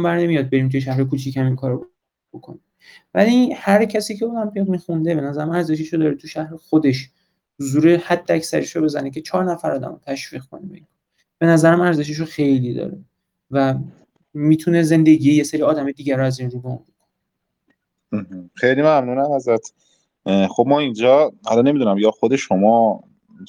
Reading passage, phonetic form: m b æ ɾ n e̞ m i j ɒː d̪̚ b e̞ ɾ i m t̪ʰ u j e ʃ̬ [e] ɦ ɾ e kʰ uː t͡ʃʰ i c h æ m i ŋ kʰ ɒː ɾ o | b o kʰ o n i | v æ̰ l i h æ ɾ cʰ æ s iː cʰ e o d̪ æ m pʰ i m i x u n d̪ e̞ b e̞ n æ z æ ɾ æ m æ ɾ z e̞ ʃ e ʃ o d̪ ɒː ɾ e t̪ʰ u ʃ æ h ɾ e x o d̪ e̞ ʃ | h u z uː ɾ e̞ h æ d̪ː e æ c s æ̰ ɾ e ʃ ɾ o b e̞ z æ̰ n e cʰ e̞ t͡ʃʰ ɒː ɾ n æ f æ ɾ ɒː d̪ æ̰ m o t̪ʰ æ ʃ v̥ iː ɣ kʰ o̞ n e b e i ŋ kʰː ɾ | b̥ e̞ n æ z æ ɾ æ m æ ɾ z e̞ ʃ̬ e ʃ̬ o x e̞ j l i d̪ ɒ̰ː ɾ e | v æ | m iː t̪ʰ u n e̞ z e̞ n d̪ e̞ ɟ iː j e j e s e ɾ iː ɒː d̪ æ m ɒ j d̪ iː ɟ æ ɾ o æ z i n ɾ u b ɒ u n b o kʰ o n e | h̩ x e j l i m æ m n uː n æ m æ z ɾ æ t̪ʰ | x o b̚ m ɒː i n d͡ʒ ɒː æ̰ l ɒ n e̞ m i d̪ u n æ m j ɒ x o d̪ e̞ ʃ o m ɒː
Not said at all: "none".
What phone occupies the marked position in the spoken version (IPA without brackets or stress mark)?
æ